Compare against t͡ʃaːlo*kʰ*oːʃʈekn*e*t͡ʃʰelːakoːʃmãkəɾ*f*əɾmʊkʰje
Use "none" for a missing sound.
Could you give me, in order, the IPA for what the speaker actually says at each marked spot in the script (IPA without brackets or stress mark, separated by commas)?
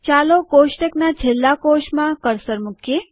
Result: k, a, s